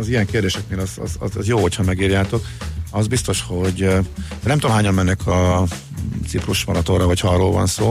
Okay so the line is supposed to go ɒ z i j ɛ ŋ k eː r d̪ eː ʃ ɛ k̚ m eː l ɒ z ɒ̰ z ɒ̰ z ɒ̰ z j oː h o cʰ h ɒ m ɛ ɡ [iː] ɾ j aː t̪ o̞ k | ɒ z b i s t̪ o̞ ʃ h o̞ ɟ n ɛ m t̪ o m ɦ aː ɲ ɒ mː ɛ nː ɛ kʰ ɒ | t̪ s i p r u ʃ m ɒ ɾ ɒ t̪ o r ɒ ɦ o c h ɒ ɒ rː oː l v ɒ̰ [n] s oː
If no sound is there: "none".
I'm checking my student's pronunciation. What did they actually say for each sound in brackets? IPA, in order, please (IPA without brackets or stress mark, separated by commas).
iː, n